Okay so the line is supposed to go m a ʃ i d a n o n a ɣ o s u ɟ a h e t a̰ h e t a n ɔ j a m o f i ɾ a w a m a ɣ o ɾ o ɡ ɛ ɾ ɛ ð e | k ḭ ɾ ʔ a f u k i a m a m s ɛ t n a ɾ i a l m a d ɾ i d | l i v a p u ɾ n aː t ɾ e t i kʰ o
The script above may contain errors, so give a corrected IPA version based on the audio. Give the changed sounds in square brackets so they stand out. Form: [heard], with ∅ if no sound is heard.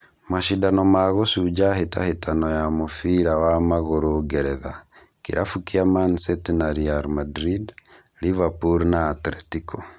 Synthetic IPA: m a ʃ i d a n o [m] a ɣ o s u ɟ a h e t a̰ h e t a n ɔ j a m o f i ɾ a w a m a ɣ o ɾ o ɡ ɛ ɾ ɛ ð [a] | k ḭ ɾ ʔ a f u k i a m a [n] s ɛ t n a ɾ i a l m a d ɾ i d | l i v a p u ɾ n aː t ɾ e t i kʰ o